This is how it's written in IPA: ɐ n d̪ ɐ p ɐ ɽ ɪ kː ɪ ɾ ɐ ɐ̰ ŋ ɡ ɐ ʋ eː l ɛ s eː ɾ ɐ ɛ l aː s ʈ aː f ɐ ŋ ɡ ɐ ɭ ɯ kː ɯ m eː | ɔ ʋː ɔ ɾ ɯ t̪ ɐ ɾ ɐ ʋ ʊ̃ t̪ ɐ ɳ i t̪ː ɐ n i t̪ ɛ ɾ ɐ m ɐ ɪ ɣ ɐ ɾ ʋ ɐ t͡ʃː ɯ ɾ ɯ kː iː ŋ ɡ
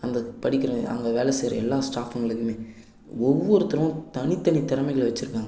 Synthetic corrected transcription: ɐ n d̪ ɐ p ɐ ɽ ɪ kː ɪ ɾ ɐ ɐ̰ ŋ ɡ ɐ ʋ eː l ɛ s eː ɾ ɐ ɛ lː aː s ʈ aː f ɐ ŋ ɡ ɐ ɭ ɯ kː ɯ m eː | ɔ ʋː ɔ ɾ ɯ t̪ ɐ ɾ ɐ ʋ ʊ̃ t̪ ɐ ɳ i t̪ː ɐ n i t̪ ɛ ɾ ɐ m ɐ ɪ ɣ ɐ ɭ ʋ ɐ t͡ʃː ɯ ɾ ɯ kː aː ŋ ɡ